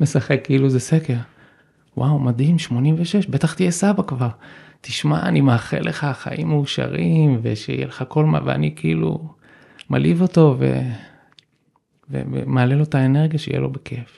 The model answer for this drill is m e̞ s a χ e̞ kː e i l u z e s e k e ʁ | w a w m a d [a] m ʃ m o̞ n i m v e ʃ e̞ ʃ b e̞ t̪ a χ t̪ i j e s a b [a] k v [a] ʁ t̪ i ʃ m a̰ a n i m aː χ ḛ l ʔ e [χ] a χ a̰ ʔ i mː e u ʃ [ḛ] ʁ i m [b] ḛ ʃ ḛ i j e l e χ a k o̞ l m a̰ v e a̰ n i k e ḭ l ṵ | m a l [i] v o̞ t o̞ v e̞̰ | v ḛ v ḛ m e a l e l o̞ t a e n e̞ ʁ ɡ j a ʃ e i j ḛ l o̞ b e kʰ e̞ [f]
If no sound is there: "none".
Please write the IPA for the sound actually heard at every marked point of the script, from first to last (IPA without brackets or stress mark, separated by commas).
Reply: i, a, a, χ, a̰, v, i, f